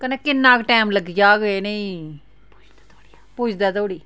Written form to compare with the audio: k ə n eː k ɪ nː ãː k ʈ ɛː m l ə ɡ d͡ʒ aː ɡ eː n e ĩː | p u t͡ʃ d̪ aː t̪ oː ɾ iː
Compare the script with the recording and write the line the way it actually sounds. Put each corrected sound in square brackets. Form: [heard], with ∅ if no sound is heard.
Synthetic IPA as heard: k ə n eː k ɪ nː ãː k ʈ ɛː m l ə ɡ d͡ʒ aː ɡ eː n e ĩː | p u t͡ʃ d̪ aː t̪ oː [ɽ] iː